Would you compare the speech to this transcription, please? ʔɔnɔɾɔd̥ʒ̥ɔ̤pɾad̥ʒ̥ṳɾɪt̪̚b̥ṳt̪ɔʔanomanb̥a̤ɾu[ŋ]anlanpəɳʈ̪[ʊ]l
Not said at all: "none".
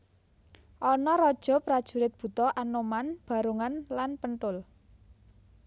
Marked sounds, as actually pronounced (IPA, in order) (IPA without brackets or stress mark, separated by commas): ŋ, ʊ